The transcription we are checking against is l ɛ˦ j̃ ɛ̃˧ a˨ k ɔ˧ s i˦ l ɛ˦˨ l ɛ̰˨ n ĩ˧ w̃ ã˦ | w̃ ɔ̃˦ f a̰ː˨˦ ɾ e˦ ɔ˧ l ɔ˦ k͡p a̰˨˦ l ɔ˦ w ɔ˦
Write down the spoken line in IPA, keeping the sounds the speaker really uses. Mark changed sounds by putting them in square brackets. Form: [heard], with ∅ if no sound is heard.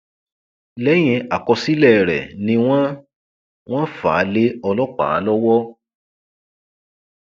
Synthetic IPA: l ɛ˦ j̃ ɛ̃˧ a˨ k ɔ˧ s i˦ l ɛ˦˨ [ɾ] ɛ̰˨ n ĩ˧ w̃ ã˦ | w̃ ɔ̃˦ f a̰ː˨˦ [l] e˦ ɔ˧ l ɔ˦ k͡p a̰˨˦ l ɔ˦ w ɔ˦